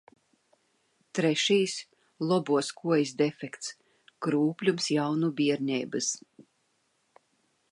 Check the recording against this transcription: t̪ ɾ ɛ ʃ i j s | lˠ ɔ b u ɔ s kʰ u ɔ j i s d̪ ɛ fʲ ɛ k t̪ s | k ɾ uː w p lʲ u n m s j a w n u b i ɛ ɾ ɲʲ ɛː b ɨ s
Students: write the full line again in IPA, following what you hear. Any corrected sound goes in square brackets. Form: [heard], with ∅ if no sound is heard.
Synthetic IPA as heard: t̪ ɾ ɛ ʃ i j s | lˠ ɔ b u ɔ s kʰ u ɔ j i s d̪ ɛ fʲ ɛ k t̪ s | k ɾ uː [∅] p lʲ u [∅] m s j a w n u b i ɛ ɾ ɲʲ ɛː b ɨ s